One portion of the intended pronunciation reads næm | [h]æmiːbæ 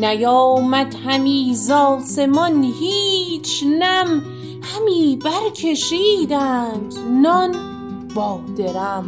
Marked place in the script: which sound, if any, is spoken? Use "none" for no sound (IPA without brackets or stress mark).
h